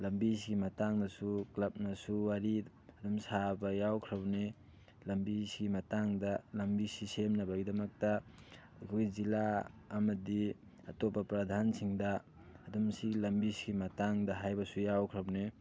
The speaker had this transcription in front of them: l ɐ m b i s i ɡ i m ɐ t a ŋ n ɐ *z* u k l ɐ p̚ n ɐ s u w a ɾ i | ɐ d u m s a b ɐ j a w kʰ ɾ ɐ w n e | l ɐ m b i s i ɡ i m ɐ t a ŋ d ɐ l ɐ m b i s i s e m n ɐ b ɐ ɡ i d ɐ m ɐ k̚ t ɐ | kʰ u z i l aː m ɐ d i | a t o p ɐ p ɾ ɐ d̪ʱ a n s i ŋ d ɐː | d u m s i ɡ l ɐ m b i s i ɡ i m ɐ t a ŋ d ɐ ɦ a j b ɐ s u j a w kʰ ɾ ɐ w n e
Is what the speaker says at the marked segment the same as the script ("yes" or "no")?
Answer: no